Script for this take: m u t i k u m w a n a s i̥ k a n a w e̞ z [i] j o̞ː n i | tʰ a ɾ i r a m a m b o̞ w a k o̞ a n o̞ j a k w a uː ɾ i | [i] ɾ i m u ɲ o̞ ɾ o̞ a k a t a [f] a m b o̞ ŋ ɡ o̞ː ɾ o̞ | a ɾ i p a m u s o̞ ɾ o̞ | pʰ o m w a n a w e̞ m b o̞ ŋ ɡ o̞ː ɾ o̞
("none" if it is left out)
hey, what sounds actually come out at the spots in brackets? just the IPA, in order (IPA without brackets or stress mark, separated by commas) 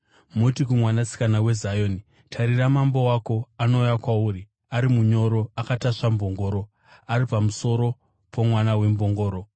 a, a, ʂ